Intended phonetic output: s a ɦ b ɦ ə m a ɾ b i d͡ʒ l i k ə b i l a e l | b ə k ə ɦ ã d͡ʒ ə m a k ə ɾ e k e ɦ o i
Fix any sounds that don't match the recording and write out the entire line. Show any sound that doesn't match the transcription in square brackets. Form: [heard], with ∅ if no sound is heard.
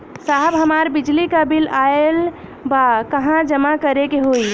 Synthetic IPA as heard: s a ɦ b ɦ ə m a ɾ b i d͡ʒ l i k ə b i l a e l | b [a] k ə ɦ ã d͡ʒ ə m a k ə ɾ e k e ɦ o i